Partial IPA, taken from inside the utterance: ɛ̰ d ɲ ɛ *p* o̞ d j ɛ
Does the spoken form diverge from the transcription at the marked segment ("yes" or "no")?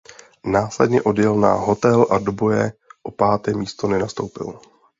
yes